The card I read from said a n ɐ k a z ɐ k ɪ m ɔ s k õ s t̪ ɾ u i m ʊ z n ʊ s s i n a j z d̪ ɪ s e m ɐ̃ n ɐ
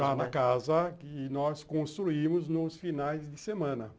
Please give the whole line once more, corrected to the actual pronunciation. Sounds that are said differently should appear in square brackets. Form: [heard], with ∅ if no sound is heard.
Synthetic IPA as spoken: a n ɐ k a z ɐ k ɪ [n] ɔ s k õ s t̪ ɾ u i m ʊ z n ʊ s [f] i n a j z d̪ ɪ s e m ɐ̃ n ɐ